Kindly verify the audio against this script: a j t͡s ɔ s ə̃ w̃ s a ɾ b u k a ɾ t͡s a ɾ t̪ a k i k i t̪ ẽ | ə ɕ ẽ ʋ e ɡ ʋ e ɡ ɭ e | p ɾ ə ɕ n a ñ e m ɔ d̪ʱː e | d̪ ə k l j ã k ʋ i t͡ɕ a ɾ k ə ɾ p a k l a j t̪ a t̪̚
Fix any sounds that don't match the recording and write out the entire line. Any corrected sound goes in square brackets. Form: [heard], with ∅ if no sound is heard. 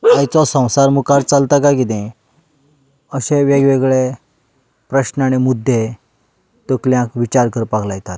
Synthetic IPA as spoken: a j t͡s ɔ s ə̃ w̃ s a ɾ [m] u k a ɾ t͡s a [l] t̪ a k [a] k i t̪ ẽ | ə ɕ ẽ ʋ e ɡ ʋ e ɡ ɭ e | p ɾ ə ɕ n a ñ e m [u] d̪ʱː e | [t̪] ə k l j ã k ʋ i t͡ɕ a ɾ k ə ɾ p a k l a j t̪ a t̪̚